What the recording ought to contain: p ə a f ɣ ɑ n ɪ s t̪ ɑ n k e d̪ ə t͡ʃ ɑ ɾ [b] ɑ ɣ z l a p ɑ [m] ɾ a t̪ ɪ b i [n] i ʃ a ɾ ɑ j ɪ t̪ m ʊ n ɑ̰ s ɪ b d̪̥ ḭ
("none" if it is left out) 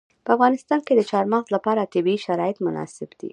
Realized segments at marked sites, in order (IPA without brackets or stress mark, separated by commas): m, none, none